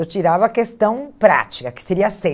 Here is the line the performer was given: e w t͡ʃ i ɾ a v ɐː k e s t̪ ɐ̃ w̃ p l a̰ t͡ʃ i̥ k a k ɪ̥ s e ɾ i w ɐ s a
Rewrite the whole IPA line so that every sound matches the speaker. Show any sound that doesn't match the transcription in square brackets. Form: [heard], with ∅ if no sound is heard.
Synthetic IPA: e w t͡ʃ i ɾ a v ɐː k e s t̪ ɐ̃ w̃ p [ɾ] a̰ t͡ʃ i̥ k [ɐ] k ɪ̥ s e ɾ i [∅] ɐ s [e]